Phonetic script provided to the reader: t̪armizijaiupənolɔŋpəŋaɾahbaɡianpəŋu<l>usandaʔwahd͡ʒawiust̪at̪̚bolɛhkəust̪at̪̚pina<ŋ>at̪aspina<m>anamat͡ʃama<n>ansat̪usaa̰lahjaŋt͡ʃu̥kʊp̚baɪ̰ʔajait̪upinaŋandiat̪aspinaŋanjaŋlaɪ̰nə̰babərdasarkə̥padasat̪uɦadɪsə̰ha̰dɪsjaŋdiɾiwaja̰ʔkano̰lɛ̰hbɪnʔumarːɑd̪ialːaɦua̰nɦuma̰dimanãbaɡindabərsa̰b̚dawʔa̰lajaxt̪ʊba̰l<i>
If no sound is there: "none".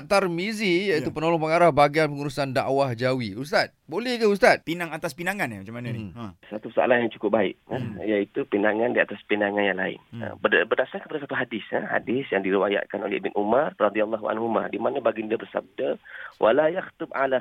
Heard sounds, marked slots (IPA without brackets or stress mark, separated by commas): ɾ, ŋ, ŋ, n, a